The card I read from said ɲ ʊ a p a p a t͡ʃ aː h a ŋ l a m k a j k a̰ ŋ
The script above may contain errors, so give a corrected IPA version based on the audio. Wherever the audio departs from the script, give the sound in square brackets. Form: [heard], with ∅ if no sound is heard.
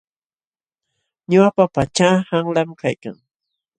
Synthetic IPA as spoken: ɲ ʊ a p a p a t͡ʃ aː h a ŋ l a m k a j k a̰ ŋ

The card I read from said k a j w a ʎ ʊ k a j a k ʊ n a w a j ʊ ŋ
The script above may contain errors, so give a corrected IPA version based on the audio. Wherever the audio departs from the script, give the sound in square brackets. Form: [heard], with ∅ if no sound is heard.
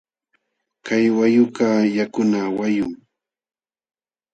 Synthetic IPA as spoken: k a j w a [j] ʊ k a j a k ʊ n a w a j ʊ ŋ

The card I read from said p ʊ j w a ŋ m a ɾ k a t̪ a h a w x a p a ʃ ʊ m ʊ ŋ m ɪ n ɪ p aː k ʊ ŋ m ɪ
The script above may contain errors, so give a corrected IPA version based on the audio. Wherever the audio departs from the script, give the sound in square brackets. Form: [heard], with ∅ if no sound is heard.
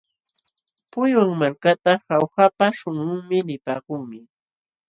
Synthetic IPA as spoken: p ʊ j w a ŋ m a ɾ k a t̪ a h a w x a p a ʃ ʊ [ŋ] ʊ ŋ m ɪ n ɪ p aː k ʊ ŋ m ɪ

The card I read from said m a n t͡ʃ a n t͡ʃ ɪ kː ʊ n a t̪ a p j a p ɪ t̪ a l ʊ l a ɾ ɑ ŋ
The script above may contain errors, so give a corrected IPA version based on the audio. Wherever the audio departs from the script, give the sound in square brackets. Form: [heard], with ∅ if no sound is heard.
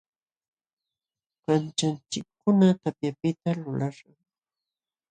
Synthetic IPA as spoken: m a n t͡ʃ a n t͡ʃ ɪ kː ʊ n a t̪ a p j a p ɪ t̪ a l ʊ l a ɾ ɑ ŋ

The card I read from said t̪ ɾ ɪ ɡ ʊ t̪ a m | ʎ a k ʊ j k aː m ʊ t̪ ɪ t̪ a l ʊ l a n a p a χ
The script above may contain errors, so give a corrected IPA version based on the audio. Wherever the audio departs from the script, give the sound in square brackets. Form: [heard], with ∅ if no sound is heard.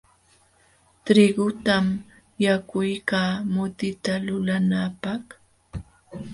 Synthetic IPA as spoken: t̪ ɾ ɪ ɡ ʊ t̪ a m | [j] a k ʊ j k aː m ʊ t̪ ɪ t̪ a l ʊ l a n a p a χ

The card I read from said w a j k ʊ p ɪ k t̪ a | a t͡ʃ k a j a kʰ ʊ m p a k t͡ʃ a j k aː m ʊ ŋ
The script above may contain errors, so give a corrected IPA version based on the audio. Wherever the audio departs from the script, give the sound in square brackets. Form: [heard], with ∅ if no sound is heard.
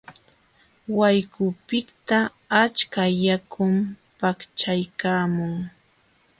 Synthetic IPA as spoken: w a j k ʊ p ɪ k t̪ a | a t͡ʃ k a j a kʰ ʊ m p a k t͡ʃ a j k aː m ʊ ŋ

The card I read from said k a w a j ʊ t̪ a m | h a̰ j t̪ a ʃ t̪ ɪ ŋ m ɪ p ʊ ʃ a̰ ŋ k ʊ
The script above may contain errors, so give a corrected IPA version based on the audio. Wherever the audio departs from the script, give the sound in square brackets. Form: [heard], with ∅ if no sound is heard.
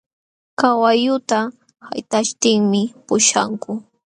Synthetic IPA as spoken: k a w a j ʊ t̪ a [∅] | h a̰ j t̪ a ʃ t̪ ɪ ŋ m ɪ p ʊ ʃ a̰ ŋ k ʊ

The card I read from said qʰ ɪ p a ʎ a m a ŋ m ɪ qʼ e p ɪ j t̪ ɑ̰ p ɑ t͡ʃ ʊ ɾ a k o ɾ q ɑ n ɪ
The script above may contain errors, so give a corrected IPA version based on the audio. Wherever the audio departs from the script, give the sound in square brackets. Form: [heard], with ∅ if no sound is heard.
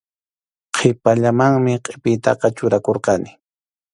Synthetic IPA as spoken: qʰ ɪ p a ʎ a m a ŋ m ɪ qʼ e p ɪ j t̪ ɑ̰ [q] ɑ t͡ʃ ʊ ɾ a k o ɾ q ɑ n ɪ

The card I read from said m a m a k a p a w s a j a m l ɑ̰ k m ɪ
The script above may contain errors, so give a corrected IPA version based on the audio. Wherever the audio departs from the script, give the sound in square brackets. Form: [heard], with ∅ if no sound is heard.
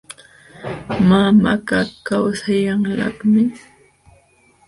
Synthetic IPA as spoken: m a m a k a [k] a w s a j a [ŋ] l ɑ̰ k m ɪ

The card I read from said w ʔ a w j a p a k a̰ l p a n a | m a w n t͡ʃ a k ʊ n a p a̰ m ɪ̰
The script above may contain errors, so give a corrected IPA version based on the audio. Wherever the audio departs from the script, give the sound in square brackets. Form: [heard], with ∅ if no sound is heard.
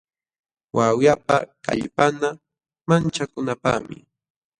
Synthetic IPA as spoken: w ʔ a w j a p a k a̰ [ʎ] p a n a | m a [∅] n t͡ʃ a k ʊ n a p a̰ m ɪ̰

